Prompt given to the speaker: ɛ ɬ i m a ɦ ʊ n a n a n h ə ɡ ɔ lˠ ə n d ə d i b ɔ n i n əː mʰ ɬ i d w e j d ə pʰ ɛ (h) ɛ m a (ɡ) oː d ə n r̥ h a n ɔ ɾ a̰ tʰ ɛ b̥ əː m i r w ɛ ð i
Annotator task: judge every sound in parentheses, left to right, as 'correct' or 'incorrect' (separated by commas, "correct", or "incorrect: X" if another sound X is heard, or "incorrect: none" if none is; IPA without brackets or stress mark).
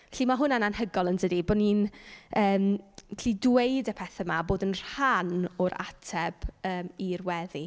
incorrect: θ, incorrect: b